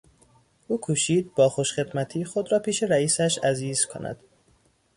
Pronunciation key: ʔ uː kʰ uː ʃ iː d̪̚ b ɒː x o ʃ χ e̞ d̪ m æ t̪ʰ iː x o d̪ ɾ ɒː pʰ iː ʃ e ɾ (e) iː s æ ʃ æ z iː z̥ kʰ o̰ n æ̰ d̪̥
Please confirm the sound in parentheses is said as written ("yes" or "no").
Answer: no